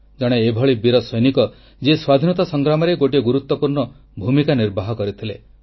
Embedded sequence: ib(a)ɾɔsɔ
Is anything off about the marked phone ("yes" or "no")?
yes